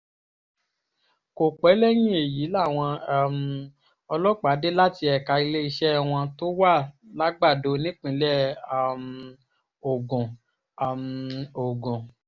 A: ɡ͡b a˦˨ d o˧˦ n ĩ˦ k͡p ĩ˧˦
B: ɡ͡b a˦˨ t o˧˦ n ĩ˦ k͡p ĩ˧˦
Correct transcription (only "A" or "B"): A